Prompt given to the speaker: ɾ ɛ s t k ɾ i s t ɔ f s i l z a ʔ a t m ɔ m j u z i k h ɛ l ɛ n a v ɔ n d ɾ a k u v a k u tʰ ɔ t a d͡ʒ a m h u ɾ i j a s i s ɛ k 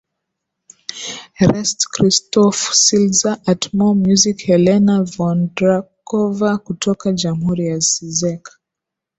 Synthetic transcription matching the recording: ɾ ɛ s t k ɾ i s t ɔ f s i l z a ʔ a t m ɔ m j u z i k h ɛ l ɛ n a v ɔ n d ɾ a k ɔ v a k u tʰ ɔ k a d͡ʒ a m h u ɾ i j a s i z ɛ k